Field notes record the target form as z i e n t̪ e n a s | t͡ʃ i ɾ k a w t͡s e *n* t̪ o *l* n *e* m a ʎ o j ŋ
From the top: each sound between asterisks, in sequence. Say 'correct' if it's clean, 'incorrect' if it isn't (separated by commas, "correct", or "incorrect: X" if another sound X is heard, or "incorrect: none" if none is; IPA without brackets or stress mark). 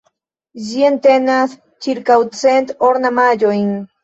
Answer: correct, incorrect: ɾ, incorrect: a